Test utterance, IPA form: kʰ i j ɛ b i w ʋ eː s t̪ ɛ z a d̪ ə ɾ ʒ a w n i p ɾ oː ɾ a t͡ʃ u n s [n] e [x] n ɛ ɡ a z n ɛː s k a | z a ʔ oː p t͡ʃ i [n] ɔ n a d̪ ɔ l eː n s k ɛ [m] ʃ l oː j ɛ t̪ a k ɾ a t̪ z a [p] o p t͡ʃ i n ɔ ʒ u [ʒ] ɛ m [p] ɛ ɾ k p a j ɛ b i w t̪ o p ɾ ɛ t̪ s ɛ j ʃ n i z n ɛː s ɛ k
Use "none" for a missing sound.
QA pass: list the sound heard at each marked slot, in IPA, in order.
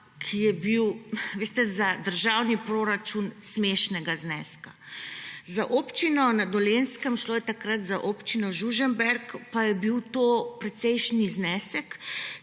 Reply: m, ʃ, n, m, ʔ, ʒ, b

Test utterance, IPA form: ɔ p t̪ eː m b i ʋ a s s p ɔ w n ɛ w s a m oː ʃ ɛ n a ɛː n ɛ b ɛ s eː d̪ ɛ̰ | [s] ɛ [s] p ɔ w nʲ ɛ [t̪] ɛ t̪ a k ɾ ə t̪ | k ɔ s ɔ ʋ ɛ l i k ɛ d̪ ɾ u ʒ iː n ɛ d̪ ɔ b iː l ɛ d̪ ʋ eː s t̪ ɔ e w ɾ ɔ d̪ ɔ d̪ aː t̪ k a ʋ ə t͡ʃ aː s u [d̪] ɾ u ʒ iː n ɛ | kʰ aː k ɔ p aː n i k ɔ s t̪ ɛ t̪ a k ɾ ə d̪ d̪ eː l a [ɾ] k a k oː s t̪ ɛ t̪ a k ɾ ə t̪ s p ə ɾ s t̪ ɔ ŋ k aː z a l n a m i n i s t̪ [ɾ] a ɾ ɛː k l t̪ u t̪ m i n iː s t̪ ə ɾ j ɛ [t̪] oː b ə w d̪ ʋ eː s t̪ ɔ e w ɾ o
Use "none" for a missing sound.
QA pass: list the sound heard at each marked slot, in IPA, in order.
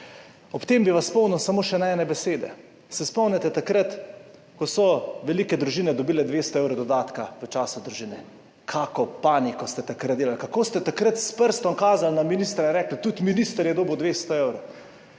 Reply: s, s, t̪, d̪, l, ɾ, d̪

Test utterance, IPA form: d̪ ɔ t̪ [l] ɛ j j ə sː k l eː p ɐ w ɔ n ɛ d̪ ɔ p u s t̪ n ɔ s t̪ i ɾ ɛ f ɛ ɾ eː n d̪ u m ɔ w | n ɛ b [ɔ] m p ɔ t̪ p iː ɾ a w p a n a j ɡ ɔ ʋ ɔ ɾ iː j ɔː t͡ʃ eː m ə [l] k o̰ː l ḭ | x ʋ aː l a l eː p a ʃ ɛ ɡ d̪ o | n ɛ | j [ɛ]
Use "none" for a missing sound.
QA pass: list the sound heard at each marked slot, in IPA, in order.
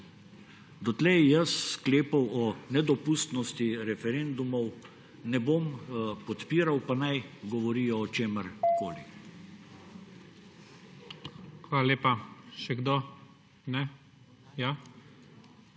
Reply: l, o, ɾ, a

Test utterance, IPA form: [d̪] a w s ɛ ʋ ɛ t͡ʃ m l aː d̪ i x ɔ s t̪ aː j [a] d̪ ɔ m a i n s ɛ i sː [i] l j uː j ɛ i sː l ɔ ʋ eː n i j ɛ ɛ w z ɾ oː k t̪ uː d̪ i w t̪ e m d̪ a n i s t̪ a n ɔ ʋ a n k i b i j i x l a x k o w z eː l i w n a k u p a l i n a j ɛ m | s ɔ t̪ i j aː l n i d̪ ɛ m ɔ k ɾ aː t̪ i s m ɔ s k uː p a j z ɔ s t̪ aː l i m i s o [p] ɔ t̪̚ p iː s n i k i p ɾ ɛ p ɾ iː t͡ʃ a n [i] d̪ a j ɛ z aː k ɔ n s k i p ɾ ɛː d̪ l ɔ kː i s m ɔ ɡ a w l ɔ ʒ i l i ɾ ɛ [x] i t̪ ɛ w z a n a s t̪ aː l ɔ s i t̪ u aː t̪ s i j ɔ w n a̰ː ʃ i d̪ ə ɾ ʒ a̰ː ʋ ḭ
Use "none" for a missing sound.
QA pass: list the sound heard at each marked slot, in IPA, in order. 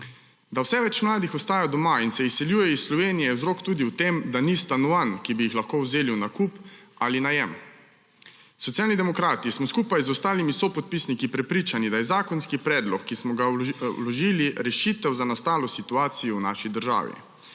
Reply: d̪, a, ɛ, p, i, ʃ

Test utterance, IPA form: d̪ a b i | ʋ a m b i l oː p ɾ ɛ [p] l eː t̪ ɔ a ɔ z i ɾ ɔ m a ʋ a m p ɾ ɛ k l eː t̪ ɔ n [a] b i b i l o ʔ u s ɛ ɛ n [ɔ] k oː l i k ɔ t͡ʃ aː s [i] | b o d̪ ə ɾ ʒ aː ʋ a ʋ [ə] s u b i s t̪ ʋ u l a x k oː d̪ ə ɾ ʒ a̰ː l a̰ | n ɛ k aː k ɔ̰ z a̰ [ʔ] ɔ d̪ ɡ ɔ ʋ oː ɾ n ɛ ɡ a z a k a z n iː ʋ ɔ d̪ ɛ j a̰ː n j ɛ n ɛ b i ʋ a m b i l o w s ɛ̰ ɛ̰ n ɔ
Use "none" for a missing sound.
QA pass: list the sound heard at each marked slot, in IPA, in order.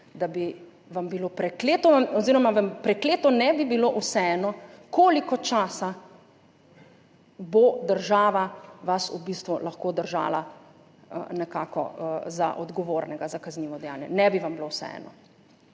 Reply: k, ɛ, ɔ, a, a, ʔ

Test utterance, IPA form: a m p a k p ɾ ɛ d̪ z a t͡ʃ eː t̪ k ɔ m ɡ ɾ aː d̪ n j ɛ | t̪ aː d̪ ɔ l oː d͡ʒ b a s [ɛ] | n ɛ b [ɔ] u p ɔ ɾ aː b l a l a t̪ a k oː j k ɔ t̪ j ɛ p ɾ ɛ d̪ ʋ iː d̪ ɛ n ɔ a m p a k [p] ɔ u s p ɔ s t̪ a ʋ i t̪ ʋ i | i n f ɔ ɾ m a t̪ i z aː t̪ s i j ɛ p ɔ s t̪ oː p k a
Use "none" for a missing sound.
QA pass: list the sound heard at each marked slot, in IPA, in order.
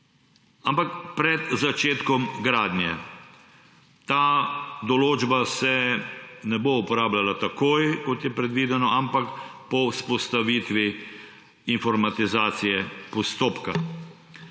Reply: ɛ, o, p

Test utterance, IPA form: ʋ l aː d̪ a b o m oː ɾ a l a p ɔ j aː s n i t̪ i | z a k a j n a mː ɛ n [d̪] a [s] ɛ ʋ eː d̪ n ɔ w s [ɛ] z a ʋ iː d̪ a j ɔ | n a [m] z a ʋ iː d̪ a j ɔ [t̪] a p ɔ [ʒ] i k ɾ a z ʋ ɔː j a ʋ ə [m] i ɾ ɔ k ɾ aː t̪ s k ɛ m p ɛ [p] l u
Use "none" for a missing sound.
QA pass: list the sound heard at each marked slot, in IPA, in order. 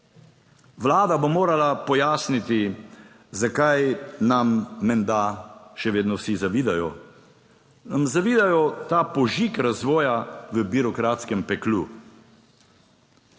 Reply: d̪, ʃ, i, m, t̪, ʒ, b, k

